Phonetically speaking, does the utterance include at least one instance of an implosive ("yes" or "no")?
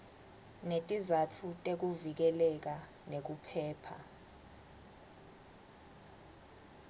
no